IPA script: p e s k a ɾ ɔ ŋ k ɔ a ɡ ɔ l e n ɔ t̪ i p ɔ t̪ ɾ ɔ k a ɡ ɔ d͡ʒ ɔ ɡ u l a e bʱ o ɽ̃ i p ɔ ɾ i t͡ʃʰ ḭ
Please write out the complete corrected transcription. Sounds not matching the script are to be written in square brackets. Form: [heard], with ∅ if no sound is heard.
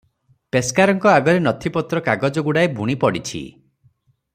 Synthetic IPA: p e s k a ɾ ɔ ŋ k ɔ a ɡ ɔ [ɾ] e n ɔ [t̪ʰ] i p ɔ t̪ ɾ ɔ k a ɡ ɔ d͡ʒ ɔ ɡ u [ɽ] a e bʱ [u] ɽ̃ i p ɔ [ɽ] i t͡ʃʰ ḭ

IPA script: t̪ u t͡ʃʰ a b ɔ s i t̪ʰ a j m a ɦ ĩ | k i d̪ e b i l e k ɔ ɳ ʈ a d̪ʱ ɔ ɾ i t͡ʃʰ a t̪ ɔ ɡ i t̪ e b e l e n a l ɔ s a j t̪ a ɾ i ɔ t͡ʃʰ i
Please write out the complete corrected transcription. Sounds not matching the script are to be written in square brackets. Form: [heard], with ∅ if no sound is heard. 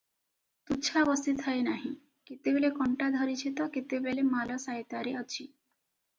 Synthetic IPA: t̪ u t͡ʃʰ a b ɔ s i t̪ʰ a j [n] a ɦ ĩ | k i [t̪] e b [e] l e k ɔ ɳ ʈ a d̪ʱ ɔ ɾ i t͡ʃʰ [i] t̪ ɔ [k] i t̪ e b e l e [m] a l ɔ s a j t̪ a ɾ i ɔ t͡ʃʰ i

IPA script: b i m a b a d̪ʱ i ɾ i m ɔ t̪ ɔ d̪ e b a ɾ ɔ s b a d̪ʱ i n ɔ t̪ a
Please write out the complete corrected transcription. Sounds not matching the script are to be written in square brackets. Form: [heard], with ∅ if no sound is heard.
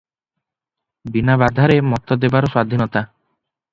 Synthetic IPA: b i [n] a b a d̪ʱ [a] ɾ [e] m ɔ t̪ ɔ d̪ e b a ɾ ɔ s [w] a d̪ʱ i n ɔ t̪ a

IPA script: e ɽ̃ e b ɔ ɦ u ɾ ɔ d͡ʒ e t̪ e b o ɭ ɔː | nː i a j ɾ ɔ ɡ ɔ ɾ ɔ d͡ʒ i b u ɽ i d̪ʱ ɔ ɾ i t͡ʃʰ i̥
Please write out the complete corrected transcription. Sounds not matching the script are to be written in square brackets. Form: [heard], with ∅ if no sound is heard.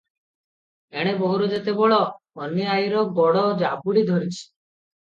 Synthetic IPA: e ɽ̃ e b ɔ ɦ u ɾ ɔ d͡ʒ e t̪ e b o ɭ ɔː | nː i a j ɾ ɔ ɡ ɔ [ɽ] ɔ d͡ʒ [a] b u ɽ i d̪ʱ ɔ ɾ i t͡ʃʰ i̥

